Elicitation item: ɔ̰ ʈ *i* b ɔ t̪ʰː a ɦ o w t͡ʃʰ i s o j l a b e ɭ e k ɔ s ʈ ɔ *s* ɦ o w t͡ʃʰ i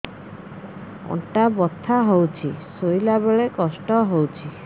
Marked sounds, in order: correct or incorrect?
incorrect: a, incorrect: none

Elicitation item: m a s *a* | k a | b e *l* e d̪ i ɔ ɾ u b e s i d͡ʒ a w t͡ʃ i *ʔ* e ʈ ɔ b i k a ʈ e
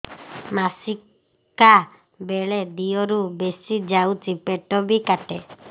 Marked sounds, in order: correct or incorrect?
incorrect: i, incorrect: ɭ, incorrect: p

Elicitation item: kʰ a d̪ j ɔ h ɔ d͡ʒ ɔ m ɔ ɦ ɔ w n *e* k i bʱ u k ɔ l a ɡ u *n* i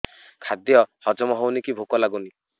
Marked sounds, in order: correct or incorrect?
incorrect: i, correct

